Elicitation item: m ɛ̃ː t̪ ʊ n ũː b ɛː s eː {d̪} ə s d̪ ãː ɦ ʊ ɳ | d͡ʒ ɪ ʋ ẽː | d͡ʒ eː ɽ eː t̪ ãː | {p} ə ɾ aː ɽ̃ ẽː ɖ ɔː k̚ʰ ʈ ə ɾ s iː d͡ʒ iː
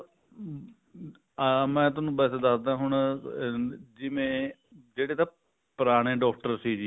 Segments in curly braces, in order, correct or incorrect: correct, correct

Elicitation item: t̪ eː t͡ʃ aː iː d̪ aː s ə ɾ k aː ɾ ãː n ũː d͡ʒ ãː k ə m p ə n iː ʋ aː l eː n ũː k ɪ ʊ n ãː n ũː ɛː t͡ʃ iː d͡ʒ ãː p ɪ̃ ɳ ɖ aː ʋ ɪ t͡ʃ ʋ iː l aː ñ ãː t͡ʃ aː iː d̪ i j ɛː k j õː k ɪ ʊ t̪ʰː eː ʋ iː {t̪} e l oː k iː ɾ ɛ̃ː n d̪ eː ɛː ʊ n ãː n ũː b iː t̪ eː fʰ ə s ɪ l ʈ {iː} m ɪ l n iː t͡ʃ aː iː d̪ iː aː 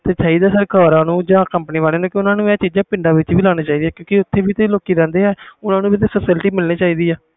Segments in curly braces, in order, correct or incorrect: correct, correct

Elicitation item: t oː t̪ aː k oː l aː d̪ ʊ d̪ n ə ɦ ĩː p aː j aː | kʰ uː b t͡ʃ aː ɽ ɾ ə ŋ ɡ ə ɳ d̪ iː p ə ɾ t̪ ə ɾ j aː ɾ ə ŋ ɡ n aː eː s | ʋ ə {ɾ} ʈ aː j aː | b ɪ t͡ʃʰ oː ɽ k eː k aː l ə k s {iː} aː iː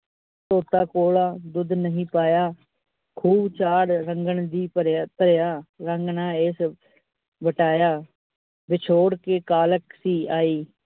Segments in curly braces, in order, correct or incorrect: incorrect: none, correct

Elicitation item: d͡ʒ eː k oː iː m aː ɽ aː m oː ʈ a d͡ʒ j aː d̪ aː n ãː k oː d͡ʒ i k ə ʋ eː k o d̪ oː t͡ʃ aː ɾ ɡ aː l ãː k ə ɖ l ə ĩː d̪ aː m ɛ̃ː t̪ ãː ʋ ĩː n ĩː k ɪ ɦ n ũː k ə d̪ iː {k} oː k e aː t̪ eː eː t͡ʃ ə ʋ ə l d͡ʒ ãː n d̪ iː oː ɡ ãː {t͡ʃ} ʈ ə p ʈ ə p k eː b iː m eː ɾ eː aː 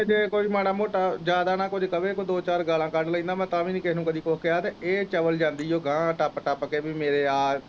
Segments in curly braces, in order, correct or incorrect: correct, incorrect: none

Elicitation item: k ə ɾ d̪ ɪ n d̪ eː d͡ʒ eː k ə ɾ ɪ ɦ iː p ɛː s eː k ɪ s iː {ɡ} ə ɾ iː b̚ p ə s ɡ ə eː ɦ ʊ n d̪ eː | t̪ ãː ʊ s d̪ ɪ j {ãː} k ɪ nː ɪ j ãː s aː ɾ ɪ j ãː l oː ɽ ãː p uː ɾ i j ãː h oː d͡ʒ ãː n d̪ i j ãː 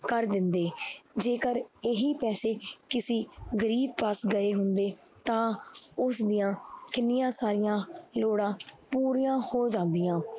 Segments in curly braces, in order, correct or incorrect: correct, correct

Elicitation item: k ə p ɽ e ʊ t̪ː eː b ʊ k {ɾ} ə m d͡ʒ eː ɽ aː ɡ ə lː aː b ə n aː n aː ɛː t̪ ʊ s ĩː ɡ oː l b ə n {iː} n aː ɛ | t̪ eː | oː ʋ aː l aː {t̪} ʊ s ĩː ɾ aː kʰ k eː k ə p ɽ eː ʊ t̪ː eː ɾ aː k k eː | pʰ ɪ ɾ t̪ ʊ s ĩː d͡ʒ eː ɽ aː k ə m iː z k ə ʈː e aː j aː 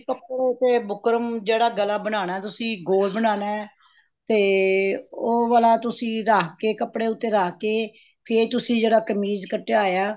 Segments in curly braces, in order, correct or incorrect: correct, incorrect: aː, correct

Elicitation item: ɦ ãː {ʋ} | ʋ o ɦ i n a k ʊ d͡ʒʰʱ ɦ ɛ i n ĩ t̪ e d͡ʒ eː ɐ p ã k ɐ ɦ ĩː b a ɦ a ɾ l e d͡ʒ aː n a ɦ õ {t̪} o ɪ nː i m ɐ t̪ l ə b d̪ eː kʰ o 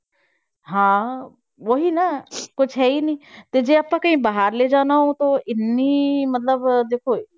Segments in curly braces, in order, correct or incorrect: incorrect: none, correct

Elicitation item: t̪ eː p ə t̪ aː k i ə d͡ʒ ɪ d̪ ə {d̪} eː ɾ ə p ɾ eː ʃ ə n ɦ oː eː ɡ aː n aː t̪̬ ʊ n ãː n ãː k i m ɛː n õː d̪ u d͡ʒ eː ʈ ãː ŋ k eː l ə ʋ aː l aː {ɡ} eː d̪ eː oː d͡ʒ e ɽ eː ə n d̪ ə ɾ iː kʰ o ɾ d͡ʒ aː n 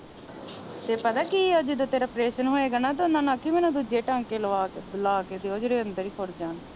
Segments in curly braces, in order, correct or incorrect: incorrect: t̪, incorrect: k

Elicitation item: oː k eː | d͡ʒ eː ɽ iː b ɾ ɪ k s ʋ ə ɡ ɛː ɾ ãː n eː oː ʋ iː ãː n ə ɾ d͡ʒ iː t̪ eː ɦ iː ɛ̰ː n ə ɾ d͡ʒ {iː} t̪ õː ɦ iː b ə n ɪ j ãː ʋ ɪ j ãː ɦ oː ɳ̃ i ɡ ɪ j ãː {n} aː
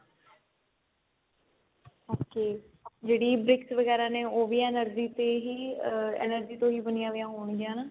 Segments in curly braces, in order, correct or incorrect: correct, correct

